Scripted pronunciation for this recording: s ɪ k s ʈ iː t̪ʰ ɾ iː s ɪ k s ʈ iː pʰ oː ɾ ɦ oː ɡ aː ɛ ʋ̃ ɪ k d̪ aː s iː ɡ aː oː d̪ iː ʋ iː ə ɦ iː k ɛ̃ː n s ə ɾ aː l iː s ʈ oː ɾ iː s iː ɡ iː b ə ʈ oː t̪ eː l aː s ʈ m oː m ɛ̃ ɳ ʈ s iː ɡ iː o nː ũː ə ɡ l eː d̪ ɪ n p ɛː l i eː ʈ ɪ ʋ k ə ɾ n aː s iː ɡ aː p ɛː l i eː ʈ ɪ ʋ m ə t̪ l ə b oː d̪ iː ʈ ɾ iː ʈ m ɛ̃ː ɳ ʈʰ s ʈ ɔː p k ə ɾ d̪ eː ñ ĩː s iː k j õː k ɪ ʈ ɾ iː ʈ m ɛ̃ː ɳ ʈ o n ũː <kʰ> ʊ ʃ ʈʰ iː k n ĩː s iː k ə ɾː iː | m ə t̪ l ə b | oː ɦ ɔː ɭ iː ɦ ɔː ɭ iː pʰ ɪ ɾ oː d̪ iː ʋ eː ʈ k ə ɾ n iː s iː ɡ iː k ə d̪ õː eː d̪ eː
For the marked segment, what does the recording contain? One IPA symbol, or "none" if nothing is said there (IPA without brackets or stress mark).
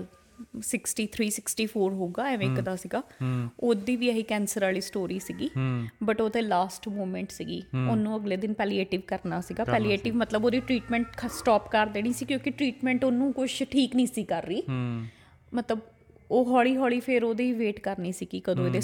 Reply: k